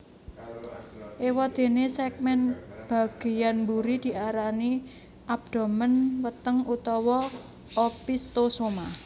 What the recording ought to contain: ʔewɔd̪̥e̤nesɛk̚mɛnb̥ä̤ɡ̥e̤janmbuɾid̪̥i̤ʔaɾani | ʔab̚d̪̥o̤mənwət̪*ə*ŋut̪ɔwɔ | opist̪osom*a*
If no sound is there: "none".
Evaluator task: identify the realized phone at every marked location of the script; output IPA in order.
ə, a

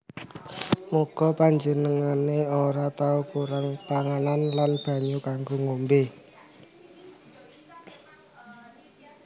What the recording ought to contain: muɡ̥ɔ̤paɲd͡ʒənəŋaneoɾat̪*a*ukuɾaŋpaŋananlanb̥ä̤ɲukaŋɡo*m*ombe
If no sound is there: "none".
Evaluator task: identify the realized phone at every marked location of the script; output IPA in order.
a, ŋ

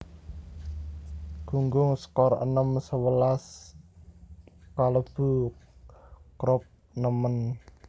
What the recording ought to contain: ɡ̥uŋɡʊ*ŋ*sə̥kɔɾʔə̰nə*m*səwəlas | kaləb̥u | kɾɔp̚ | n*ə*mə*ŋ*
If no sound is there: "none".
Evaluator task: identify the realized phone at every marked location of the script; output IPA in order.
ŋ, m, ə, n

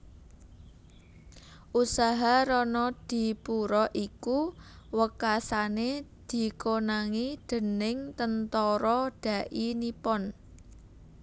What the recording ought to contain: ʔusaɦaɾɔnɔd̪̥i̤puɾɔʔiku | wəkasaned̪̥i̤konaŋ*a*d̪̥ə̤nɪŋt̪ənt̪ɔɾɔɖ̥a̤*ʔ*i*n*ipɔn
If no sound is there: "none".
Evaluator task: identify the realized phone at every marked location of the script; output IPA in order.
i, ʔ, n

